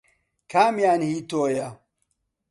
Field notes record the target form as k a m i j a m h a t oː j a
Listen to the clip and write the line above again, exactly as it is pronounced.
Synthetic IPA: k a m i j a n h i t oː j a